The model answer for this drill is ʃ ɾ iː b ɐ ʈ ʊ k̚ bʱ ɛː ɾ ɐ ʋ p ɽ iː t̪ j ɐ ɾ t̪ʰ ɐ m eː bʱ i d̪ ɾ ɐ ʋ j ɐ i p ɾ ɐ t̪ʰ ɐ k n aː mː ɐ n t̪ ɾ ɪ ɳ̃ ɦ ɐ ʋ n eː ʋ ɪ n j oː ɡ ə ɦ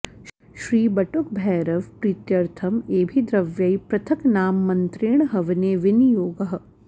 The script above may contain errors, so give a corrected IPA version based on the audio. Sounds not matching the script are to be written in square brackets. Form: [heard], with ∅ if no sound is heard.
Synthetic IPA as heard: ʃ ɾ iː b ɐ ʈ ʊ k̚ bʱ ɛː ɾ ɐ ʋ p [ɾ] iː t̪ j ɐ ɾ t̪ʰ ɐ m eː bʱ i d̪ ɾ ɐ ʋ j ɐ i p ɾ ɐ t̪ʰ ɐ k n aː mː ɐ n t̪ ɾ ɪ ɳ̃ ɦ ɐ ʋ n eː ʋ ɪ n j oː ɡ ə ɦ